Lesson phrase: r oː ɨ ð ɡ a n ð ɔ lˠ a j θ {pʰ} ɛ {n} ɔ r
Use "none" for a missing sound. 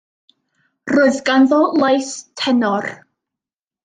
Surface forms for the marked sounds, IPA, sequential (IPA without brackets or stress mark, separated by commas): tʰ, n